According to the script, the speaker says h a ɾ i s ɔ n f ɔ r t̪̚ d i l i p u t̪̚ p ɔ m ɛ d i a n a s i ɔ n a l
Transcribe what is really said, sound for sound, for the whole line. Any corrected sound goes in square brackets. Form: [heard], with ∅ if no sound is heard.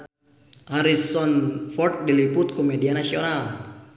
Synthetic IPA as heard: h a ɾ i s ɔ n f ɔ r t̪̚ d i l i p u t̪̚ [k] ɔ m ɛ d i a n a s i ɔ n a l

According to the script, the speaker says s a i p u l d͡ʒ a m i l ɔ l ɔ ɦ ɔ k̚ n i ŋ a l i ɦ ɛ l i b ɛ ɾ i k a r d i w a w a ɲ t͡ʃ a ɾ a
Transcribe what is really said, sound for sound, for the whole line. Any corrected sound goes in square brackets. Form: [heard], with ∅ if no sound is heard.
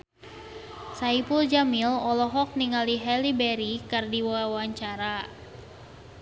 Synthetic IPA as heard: s a i p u l d͡ʒ a m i l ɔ l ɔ ɦ ɔ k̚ n i ŋ a l i ɦ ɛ l i b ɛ ɾ i k a r d i w a w a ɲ t͡ʃ a ɾ a

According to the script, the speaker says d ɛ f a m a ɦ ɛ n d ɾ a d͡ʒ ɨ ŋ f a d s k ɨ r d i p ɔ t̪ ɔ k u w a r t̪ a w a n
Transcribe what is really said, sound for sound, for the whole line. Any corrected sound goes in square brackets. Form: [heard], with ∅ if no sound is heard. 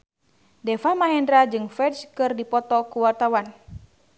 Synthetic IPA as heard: d ɛ f a m a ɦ ɛ n d ɾ a d͡ʒ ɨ ŋ f [ɛ] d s k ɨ r d i p ɔ t̪ ɔ k u w a r t̪ a w a n

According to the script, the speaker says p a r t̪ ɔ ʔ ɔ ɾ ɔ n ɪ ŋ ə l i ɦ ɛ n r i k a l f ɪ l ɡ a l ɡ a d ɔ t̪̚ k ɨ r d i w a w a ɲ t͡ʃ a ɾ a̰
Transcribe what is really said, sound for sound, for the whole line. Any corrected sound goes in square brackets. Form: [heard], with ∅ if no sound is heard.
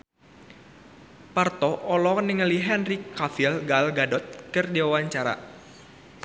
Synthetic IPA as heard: p a r t̪ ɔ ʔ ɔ [l] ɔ n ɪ ŋ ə l i ɦ ɛ n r i k a [∅] f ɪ l ɡ a l ɡ a d ɔ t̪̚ k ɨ r d i w a w a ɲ t͡ʃ a ɾ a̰

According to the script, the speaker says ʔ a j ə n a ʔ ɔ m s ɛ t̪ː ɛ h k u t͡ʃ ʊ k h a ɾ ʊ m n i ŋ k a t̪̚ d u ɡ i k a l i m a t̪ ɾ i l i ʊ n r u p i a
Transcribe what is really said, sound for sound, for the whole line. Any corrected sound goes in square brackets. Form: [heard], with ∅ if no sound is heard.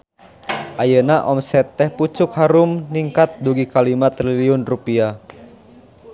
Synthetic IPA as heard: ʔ a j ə n a ʔ ɔ m s ɛ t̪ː ɛ h [p] u t͡ʃ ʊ k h a ɾ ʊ m n i ŋ k a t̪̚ d u ɡ i k a l i m a t̪ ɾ i l i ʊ n r u p i a

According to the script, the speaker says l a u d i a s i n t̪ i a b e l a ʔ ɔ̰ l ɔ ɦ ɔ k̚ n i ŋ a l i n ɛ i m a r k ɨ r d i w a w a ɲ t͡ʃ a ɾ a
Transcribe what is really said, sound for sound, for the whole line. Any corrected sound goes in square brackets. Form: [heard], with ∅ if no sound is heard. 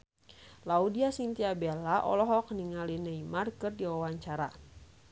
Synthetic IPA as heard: l a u d i a s i n t̪ i a b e l a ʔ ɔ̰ l ɔ ɦ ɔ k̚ n i ŋ a l i n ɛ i m a r k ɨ r d i w a w a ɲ t͡ʃ a ɾ a

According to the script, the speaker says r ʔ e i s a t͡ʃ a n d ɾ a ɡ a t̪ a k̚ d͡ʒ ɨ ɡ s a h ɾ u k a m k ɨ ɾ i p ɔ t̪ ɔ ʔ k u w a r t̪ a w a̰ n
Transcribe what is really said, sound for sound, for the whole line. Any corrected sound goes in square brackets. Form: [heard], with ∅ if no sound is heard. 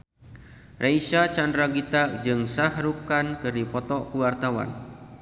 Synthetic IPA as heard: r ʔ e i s a t͡ʃ a n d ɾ a ɡ [i] t̪ a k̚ d͡ʒ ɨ [ŋ] s a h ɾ u k a [n] k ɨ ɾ i p ɔ t̪ ɔ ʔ k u w a r t̪ a w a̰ n

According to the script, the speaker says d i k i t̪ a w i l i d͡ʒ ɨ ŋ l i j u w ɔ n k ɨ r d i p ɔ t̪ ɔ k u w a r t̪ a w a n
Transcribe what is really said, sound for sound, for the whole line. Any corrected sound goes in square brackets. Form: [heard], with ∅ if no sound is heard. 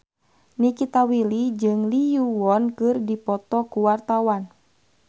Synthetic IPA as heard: [n] i k i t̪ a w i l i d͡ʒ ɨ ŋ l i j u w ɔ n k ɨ r d i p ɔ t̪ ɔ k u w a r t̪ a w a n

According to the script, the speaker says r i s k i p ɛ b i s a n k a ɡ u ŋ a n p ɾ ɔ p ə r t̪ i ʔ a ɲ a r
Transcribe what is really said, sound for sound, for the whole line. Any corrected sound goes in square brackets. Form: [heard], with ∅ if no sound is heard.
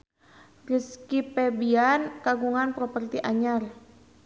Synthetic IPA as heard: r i s k i p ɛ b i [∅] a n k a ɡ u ŋ a n p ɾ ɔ p ə r t̪ i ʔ a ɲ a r

